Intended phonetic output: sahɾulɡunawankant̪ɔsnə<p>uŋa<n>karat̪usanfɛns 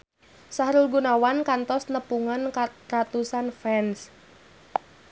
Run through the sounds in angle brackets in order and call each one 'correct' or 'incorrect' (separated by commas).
correct, correct